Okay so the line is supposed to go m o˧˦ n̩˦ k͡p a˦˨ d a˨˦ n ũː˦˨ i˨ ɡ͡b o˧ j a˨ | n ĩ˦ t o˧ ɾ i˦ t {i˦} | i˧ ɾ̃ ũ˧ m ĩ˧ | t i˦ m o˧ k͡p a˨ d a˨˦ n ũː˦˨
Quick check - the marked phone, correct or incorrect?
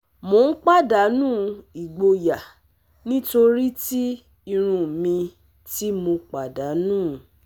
correct